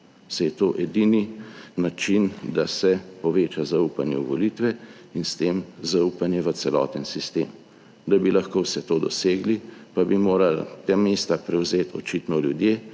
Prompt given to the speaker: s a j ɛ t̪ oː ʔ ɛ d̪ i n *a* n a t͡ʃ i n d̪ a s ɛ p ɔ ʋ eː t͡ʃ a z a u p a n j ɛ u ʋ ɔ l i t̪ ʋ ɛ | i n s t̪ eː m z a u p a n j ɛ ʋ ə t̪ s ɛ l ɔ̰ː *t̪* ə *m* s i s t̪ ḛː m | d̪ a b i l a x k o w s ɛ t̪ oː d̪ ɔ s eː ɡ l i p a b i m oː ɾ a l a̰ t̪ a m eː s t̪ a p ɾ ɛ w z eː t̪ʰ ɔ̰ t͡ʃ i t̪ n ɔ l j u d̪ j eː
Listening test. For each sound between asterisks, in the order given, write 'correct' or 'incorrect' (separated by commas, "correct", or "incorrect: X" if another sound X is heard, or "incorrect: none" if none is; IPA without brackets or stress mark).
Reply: incorrect: i, correct, incorrect: n